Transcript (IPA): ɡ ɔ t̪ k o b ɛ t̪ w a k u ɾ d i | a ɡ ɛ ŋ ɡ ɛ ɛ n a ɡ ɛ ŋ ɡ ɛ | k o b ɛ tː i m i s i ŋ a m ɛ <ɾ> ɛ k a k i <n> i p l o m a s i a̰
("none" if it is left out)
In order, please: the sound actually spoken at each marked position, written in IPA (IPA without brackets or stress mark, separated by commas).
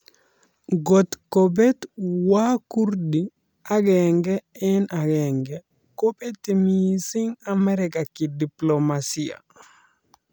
ɾ, d